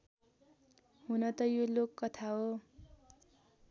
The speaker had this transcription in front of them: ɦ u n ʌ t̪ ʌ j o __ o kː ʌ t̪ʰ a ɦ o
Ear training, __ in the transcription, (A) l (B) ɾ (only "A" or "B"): A